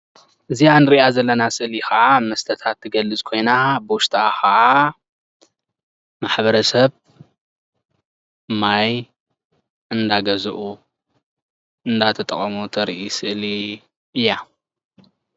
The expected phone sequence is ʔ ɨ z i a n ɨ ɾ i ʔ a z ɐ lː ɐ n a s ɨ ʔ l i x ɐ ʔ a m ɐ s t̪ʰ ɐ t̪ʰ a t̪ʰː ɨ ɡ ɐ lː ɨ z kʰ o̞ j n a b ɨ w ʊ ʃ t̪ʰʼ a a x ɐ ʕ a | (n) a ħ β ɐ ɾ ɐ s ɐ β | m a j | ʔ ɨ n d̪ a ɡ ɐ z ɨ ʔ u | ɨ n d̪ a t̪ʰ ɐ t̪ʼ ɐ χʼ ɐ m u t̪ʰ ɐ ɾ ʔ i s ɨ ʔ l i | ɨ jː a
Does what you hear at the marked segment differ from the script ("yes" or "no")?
yes